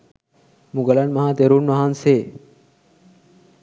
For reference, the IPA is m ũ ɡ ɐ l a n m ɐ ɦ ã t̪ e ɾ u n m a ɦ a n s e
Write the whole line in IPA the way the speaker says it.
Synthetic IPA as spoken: m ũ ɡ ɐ l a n m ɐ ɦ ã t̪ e ɾ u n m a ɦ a n s e